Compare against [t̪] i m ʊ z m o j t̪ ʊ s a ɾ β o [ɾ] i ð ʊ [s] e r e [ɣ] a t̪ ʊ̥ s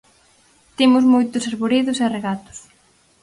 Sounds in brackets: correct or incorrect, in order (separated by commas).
correct, correct, correct, correct